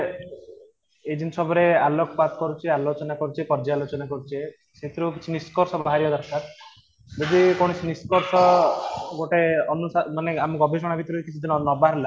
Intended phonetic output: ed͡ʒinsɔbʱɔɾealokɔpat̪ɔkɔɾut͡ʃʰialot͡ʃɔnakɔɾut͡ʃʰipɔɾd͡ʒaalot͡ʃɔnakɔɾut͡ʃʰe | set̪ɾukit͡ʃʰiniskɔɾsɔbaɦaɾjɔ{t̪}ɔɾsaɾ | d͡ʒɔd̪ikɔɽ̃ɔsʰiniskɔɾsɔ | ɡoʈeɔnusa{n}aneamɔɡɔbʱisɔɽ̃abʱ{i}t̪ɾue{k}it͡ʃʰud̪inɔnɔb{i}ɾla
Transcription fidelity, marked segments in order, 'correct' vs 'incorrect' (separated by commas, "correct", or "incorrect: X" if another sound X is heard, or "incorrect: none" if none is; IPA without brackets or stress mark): incorrect: d̪, incorrect: m, correct, correct, incorrect: a